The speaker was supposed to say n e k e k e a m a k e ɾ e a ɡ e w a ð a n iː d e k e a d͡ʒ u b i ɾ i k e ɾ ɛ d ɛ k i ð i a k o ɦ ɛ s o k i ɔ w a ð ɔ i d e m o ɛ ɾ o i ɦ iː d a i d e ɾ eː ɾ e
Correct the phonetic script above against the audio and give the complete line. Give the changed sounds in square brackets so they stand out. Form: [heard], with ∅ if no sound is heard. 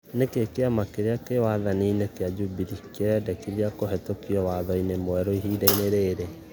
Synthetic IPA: n e k e k e a m a k e ɾ e a [k] e w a ð a n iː [n] e k e a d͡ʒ u b i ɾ i k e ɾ ɛ d ɛ k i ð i a k o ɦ ɛ [t] o k i ɔ w a ð ɔ i [n] e m o ɛ ɾ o i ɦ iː d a i [n] e ɾ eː ɾ e